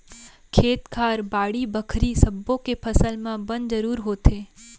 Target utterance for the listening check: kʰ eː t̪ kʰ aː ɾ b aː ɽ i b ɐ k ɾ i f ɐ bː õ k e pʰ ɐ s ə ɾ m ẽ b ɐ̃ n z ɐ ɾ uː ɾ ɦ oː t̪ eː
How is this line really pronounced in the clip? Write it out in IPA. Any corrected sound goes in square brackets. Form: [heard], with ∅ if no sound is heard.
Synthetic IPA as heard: kʰ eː t̪ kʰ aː ɾ b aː ɽ i b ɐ [kʰ] ɾ i [s] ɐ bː õ k e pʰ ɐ s ə [l] m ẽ b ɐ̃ n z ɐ ɾ uː ɾ ɦ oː t̪ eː